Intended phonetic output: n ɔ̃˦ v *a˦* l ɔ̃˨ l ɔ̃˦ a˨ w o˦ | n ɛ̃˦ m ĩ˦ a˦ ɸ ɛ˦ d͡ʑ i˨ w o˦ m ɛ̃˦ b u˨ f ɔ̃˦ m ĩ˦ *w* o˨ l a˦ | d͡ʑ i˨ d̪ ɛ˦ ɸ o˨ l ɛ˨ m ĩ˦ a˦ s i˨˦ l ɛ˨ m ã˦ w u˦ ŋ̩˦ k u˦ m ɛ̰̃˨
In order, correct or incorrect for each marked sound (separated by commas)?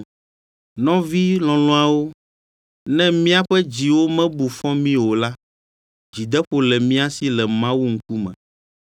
incorrect, correct